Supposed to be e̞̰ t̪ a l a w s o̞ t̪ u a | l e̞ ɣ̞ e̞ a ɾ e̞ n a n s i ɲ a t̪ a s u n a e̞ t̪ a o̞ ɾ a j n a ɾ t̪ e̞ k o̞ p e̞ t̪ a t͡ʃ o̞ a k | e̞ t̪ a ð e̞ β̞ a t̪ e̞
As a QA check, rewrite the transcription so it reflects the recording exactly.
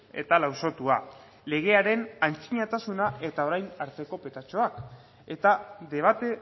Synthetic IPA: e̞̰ t̪ a l a w s o̞ t̪ u a | l e̞ ɣ̞ e̞ a ɾ e̞ n a n t͡s i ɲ a t̪ a s u n a e̞ t̪ a o̞ ɾ a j n a ɾ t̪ e̞ k o̞ p e̞ t̪ a t͡ʃ o̞ a k | e̞ t̪ a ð e̞ β̞ a t̪ e̞

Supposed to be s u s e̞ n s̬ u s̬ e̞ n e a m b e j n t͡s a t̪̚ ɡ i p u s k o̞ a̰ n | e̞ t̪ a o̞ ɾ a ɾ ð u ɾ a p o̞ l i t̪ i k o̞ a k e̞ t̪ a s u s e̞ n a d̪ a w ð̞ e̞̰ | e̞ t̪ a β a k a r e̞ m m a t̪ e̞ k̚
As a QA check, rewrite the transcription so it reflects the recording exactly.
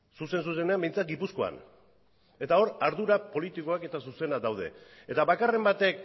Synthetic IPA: s u s e̞ n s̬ u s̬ e̞ n e a m b e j n t͡s a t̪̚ ɡ i p u s k o̞ a̰ n | e̞ t̪ a o̞ ɾ a ɾ ð u ɾ a p o̞ l i t̪ i k o̞ a k e̞ t̪ a s u s e̞ n a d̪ a w ð̞ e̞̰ | e̞ t̪ a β a k a r e̞ m b a t̪ e̞ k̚

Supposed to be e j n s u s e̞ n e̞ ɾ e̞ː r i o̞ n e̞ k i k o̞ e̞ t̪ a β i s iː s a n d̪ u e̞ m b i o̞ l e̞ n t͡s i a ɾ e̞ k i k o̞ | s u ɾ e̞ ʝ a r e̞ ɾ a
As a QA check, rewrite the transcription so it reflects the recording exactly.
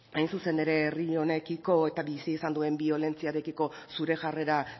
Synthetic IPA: a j n s u s e̞ n e̞ ɾ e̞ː r i o̞ n e̞ k i k o̞ e̞ t̪ a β i s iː s a n d̪ u e̞ m b i o̞ l e̞ n t͡s i a ɾ e̞ k i k o̞ | s u ɾ e̞ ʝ a r e̞ ɾ a

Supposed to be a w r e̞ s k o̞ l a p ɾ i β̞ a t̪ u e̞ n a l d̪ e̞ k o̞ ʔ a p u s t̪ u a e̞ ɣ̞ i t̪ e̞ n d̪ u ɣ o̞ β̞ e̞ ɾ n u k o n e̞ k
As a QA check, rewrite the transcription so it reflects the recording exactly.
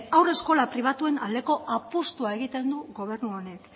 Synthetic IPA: a w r e̞ s k o̞ l a p ɾ i β̞ a t̪ u e̞ n a l d̪ e̞ k o̞ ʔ a p u s t̪ u a e̞ ɣ̞ i t̪ e̞ n d̪ u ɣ o̞ β̞ e̞ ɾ n u o n e̞ k

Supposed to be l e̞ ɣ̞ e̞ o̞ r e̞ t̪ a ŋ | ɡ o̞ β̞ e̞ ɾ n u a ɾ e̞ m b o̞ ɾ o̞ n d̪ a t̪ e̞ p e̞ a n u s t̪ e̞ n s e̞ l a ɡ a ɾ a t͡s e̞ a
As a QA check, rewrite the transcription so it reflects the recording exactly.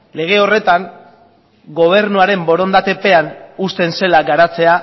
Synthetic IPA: l e̞ ɣ̞ e̞ o̞ r e̞ t̪ a ŋ | ɡ o̞ β̞ e̞ ɾ n u a ɾ e̞ m b o̞ ɾ o̞ n d̪ a t̪ e̞ p e̞ a n u s t̪ e̞ n s e̞ l a ɡ a ɾ a t͡s e̞ a

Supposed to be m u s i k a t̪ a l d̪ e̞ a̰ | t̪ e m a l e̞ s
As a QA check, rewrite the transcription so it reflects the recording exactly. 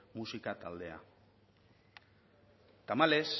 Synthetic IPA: m u s i k a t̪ a l d̪ e̞ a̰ | t̪ a m a l e̞ s

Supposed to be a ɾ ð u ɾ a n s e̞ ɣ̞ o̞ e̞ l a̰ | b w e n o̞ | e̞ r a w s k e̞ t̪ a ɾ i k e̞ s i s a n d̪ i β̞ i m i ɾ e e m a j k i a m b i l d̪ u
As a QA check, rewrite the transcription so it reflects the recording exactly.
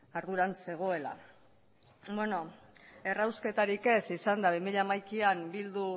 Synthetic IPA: a ɾ ð u ɾ a n s e̞ ɣ̞ o̞ e̞ l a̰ | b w e n o̞ | e̞ r a w s k e̞ t̪ a ɾ i k e̞ s i s a n d̪ a β̞ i m i ʎ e a m a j k i a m b i l d̪ u

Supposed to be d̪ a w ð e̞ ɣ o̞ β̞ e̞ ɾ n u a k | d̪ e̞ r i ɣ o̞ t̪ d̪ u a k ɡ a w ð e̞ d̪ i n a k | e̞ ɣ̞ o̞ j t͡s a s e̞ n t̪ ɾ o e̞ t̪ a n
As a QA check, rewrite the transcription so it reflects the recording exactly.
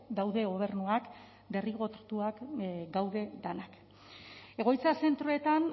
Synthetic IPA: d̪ a w ð e̞ ɣ o̞ β̞ e̞ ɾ n u a k | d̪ e̞ r i ɣ o̞ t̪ t̪ u a k ɡ a w ð e̞ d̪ a n a k | e̞ ɣ̞ o̞ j t͡s a s e̞ n t̪ ɾ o e̞ t̪ a n

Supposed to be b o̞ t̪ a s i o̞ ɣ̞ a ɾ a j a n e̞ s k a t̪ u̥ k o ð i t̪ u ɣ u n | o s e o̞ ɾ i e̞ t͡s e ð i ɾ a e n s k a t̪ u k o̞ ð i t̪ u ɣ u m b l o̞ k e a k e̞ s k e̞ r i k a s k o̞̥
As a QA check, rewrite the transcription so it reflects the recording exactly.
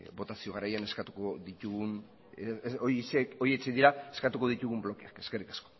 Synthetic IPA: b o̞ t̪ a s i o̞ ɣ̞ a ɾ a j a n e̞ s k a t̪ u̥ k o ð i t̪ u ɣ u n | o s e o̞ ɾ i e̞ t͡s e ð i ɾ a e s k a t̪ u k o̞ ð i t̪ u ɣ u m b l o̞ k e a k e̞ s k e̞ r i k a s k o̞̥

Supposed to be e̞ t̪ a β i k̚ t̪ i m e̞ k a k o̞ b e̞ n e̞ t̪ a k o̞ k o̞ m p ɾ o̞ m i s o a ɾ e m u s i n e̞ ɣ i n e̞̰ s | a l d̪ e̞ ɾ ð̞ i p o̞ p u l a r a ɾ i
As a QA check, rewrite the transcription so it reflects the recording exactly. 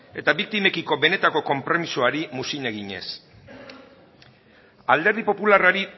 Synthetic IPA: e̞ t̪ a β i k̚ t̪ i m e̞ k i k o̞ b e̞ n e̞ t̪ a k o̞ k o̞ m p ɾ o̞ m i s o a ɾ i m u s i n e̞ ɣ i ɲ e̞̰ s | a l d̪ e̞ ɾ ð̞ i p o̞ p u l a r a ɾ i

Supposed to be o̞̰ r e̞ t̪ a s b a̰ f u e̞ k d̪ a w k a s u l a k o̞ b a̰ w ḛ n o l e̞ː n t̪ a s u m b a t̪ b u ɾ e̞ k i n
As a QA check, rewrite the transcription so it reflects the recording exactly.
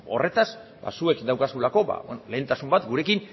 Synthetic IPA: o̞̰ r e̞ t̪ a s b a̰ s u e̞ k d̪ a w k a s u l a k o̞ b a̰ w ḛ n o l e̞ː n t̪ a s u m b a t̪ ɡ u ɾ e̞ k i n

